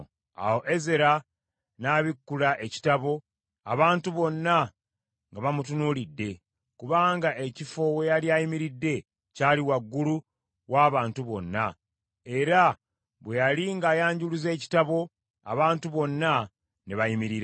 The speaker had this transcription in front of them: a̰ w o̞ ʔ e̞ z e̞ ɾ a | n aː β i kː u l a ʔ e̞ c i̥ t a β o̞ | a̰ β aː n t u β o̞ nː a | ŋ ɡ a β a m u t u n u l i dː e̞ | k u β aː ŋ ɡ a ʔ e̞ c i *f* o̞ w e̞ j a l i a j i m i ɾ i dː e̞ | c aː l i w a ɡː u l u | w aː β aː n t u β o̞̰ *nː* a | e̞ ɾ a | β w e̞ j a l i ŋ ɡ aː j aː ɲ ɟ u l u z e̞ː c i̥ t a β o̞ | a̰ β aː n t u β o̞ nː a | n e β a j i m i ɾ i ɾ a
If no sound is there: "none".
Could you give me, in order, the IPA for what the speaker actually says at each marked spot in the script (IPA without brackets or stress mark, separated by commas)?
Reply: f, nː